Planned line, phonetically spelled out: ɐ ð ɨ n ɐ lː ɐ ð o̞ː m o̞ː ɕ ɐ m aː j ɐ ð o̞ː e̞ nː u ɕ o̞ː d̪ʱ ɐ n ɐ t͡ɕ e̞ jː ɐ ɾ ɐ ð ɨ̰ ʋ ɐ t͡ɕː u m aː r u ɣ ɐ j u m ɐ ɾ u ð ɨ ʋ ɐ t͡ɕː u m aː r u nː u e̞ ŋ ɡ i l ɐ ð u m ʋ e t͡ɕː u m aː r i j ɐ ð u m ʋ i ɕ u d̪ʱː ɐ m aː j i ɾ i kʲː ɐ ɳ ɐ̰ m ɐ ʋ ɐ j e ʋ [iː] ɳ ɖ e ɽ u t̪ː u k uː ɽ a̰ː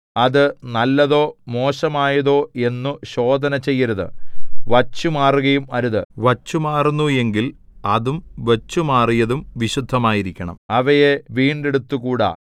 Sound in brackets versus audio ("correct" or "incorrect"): correct